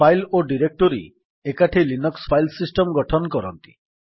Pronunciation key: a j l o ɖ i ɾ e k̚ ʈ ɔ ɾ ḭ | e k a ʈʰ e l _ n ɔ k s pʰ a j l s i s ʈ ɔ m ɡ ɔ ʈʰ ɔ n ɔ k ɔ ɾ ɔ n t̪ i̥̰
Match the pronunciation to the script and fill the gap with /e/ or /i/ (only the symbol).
i